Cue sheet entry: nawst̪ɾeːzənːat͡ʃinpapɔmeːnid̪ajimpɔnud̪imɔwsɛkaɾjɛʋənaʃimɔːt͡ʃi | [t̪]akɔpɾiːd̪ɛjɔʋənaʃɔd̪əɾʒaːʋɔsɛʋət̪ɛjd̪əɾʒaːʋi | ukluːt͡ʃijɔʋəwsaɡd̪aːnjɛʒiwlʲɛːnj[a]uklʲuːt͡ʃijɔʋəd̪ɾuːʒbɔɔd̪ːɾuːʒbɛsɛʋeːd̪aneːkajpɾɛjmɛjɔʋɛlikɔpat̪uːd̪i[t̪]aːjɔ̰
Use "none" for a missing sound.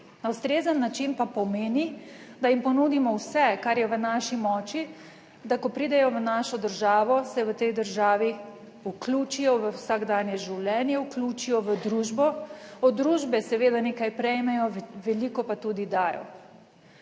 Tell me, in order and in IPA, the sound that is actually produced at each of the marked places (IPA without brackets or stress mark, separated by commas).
d̪, ɛ, d̪